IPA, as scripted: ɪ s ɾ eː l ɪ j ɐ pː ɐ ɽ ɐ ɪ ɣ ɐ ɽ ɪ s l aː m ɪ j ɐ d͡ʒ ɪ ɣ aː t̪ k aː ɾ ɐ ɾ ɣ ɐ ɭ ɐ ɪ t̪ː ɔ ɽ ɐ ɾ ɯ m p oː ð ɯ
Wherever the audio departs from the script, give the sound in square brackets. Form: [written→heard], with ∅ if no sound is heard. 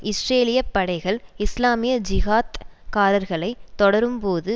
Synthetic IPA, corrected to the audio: ɪ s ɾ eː l ɪ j ɐ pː ɐ ɽ ɐ ɪ ɣ ɐ [ɽ→ɭ] ɪ s l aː m ɪ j ɐ d͡ʒ ɪ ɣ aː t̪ k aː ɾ ɐ ɾ ɣ ɐ ɭ ɐ ɪ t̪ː ɔ ɽ ɐ ɾ ɯ m p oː ð ɯ